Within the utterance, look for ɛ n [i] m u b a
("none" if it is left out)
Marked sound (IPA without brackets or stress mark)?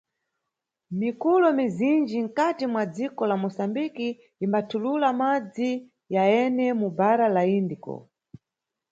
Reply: ɛ